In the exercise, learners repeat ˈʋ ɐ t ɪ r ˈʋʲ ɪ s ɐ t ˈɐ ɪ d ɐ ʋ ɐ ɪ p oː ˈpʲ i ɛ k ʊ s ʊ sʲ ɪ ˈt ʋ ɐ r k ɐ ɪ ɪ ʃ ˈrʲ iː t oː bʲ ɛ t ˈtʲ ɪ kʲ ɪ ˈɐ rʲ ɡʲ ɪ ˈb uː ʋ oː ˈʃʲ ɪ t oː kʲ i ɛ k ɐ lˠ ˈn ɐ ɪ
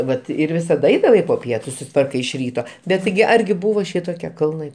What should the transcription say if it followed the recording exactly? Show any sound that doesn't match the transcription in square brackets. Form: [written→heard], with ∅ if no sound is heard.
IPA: ˈʋ ɐ t ɪ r ˈʋʲ ɪ s ɐ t ˈɐ ɪ d ɐ ʋ ɐ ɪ p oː ˈpʲ i ɛ [k→t] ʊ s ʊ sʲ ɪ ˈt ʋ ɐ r k ɐ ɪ ɪ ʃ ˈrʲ iː t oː bʲ ɛ t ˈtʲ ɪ [kʲ→ɡʲ] ɪ ˈɐ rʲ ɡʲ ɪ ˈb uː ʋ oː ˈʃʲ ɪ t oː kʲ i ɛ k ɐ lˠ ˈn ɐ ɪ